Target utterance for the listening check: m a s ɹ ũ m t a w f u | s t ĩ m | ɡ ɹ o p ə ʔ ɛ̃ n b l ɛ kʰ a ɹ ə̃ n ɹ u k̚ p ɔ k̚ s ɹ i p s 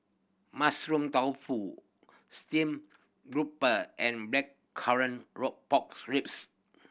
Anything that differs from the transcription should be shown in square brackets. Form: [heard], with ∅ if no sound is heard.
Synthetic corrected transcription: m a s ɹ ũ m t a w f u | s t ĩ m | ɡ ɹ [u] p ə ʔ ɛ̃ n b l ɛ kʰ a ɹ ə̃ n ɹ [ɔ] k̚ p ɔ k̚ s ɹ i p s